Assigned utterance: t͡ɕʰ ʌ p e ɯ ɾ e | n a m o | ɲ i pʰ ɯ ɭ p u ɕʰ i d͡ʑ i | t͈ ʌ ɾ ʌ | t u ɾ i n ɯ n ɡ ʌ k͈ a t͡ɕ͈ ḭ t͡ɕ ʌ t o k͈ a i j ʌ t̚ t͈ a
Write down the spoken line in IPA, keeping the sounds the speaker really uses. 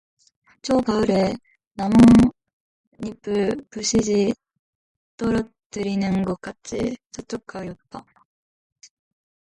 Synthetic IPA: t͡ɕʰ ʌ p a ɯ ɾ e | n a m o | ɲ i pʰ ɯ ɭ p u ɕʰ i d͡ʑ i | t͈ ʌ ɾ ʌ | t ɯ ɾ i n ɯ n ɡ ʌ k͈ a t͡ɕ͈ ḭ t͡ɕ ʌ t͡ɕ͈ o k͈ a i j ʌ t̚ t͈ a